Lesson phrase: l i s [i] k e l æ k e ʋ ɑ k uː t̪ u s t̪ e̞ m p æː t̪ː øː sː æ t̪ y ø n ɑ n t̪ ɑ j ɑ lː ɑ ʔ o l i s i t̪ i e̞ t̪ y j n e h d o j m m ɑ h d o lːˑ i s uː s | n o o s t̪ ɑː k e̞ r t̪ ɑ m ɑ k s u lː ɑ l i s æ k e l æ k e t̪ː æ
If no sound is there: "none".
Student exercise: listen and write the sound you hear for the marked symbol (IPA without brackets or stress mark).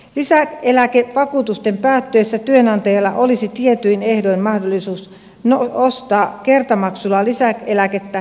æ